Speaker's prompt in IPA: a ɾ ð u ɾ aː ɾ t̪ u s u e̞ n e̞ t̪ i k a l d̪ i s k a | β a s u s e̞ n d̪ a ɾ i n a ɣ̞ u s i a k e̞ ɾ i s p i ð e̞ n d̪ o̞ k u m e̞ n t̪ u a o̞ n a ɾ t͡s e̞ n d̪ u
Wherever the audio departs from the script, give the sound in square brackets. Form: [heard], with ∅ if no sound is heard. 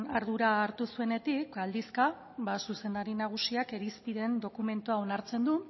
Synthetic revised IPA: a ɾ ð u ɾ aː ɾ t̪ u s u e̞ n e̞ t̪ i k a l d̪ i s k a | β a s u s e̞ n d̪ a ɾ i n a ɣ̞ u s i a k e̞ ɾ i s p i ð e̞ n d̪ o̞ k u m e̞ n t̪ u a o̞ n a ɾ t͡s e̞ n d̪ u